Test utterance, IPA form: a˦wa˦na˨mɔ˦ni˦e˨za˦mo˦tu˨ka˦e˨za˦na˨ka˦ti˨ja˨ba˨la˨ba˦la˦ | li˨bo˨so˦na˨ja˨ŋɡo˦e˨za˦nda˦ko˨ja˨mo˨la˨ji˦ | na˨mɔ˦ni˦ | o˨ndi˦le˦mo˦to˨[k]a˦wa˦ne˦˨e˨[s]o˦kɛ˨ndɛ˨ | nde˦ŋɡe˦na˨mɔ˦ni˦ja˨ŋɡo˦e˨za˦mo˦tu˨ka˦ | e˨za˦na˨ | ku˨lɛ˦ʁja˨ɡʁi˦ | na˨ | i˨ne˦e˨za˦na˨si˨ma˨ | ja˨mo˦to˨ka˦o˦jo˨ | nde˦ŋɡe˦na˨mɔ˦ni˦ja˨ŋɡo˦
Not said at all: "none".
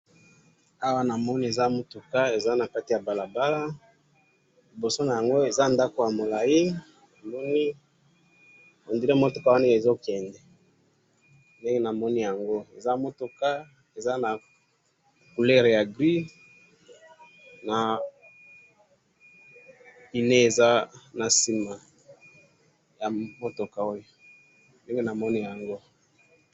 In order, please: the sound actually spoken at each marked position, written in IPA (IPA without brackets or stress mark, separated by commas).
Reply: k, z